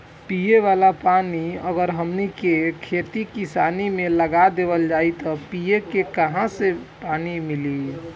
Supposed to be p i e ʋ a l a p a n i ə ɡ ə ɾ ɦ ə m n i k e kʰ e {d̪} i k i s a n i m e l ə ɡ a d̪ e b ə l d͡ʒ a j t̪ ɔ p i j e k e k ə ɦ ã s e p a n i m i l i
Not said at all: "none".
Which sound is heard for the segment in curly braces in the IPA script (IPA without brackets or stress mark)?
t̪